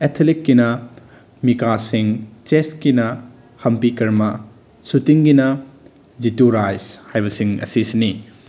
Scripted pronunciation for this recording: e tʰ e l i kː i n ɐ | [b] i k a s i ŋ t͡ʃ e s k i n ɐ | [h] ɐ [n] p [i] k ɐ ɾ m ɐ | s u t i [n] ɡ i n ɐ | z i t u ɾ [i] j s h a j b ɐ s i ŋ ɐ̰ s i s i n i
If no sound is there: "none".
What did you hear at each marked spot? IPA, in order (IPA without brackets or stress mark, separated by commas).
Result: m, h, m, i, ŋ, a